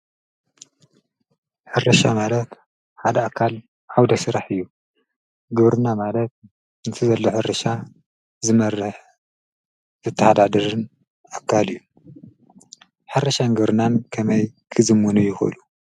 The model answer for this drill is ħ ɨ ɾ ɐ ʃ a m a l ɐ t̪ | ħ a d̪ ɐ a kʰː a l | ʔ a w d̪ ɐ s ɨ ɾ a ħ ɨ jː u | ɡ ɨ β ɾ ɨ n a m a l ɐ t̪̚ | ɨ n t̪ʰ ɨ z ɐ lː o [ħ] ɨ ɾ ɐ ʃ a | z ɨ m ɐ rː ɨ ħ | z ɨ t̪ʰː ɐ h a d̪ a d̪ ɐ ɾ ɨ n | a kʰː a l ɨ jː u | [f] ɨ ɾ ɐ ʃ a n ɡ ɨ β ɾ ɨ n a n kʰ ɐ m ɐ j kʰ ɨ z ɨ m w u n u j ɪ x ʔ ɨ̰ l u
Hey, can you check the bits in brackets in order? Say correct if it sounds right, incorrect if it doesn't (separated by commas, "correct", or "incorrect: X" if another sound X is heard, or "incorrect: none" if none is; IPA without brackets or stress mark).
correct, incorrect: ħ